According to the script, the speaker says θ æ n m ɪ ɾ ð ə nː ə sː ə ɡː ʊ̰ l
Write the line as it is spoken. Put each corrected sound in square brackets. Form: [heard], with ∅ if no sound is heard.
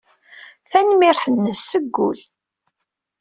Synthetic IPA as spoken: θ æ n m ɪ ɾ [θ] ə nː ə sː ə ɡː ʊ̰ l